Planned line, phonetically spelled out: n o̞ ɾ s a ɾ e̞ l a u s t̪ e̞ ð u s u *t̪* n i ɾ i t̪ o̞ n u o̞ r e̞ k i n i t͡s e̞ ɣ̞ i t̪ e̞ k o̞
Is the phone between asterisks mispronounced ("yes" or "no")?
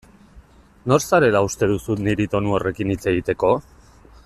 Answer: no